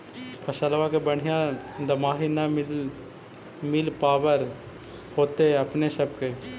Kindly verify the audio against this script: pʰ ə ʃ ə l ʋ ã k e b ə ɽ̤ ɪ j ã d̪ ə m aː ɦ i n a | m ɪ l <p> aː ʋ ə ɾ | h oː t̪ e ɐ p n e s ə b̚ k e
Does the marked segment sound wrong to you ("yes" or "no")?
no